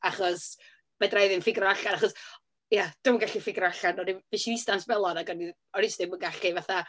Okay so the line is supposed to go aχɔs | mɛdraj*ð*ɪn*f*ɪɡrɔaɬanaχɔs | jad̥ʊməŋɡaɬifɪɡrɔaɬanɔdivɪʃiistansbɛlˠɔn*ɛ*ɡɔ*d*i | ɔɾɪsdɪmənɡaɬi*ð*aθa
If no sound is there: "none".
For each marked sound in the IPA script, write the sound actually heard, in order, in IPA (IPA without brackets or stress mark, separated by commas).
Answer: ð, f, a, n, v